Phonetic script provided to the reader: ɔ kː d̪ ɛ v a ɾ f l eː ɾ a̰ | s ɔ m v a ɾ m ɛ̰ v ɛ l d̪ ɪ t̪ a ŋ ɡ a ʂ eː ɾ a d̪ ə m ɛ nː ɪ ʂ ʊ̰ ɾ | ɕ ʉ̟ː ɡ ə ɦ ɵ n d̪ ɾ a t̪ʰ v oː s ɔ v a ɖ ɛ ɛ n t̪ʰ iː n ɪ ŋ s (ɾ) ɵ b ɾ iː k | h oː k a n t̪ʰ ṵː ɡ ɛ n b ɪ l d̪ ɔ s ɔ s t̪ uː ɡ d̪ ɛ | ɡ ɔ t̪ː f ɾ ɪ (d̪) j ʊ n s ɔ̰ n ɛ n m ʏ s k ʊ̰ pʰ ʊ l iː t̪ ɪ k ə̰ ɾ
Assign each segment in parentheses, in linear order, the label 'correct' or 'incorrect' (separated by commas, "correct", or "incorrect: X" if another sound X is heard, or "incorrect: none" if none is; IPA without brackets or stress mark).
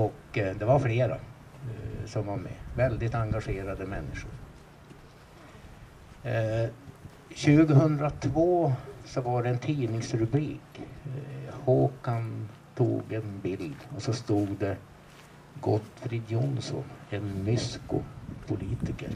correct, correct